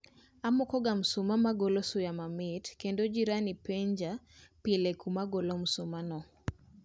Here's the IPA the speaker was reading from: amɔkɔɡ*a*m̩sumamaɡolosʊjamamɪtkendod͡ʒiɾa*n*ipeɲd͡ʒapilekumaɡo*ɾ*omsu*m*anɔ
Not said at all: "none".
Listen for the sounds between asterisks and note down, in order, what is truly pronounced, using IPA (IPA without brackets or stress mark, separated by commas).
a, n, l, m